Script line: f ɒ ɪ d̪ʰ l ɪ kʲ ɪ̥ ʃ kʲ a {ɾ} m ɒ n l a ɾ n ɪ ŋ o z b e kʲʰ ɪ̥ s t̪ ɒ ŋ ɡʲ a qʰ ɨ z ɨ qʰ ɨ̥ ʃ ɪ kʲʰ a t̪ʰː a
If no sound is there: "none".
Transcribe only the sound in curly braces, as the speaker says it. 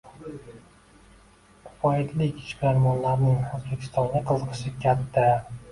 ɾ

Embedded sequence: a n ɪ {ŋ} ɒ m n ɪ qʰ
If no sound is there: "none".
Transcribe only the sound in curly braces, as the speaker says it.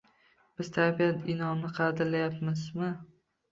n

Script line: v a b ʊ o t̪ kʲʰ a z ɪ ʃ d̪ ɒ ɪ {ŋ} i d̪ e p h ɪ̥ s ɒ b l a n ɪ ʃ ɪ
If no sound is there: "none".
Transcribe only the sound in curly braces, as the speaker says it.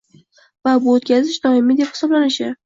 m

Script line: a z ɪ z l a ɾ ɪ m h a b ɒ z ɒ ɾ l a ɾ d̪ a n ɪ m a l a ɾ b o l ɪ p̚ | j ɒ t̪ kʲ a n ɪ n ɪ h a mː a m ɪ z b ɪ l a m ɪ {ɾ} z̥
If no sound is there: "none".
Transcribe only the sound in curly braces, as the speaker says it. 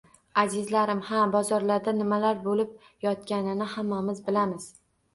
none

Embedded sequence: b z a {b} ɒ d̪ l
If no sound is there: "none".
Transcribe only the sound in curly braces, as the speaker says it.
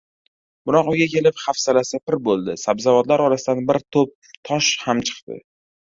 v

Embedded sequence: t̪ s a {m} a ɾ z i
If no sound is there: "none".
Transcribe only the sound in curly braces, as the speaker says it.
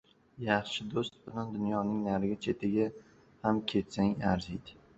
ŋ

